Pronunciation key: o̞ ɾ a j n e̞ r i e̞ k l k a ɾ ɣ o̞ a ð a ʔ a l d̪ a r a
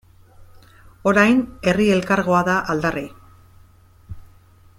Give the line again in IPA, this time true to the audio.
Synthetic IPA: o̞ ɾ a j n e̞ r i e̞ l k a ɾ ɣ o̞ a ð a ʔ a l d̪ a r i